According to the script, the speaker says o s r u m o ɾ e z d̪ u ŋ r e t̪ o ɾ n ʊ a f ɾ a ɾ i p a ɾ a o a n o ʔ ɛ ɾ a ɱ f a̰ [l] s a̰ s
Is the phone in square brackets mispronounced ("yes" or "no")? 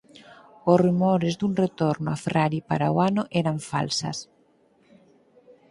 no